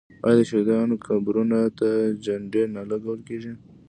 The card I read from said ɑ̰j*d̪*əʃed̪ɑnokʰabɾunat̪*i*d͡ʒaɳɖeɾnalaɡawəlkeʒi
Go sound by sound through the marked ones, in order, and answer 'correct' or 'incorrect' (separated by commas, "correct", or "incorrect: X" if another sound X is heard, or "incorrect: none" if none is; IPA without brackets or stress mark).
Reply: correct, incorrect: a